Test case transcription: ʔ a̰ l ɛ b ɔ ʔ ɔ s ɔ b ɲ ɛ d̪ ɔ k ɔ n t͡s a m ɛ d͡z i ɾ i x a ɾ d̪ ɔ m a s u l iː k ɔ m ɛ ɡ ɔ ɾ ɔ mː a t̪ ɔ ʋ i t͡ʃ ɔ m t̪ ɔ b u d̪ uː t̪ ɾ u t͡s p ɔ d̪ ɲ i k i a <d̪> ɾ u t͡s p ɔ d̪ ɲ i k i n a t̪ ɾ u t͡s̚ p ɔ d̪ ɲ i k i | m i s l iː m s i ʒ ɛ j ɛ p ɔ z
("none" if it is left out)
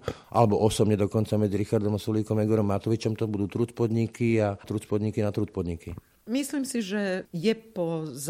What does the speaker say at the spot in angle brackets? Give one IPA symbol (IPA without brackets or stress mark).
t̪